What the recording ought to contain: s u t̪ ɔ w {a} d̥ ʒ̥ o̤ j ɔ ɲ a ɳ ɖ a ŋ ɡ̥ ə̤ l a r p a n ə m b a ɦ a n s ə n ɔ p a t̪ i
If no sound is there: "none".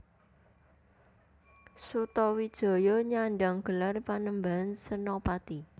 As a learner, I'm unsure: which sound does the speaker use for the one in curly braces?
i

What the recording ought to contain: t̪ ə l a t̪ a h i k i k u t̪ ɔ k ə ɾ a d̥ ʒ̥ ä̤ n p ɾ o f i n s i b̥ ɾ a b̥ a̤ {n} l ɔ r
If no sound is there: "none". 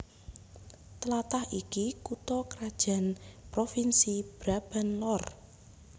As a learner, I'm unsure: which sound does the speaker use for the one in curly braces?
n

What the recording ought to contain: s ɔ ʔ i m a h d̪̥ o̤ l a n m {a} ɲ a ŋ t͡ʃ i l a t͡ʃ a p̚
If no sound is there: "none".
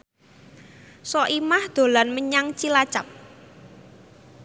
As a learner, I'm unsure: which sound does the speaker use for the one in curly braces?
ə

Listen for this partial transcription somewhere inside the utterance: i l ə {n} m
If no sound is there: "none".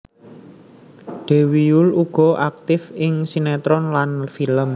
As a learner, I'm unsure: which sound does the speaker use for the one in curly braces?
none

